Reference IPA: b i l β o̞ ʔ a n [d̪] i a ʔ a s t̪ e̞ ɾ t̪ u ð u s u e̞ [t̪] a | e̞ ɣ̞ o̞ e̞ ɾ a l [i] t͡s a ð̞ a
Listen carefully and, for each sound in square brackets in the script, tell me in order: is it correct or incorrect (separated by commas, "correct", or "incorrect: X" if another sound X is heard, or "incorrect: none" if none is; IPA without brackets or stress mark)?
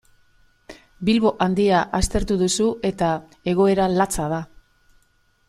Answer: correct, correct, incorrect: a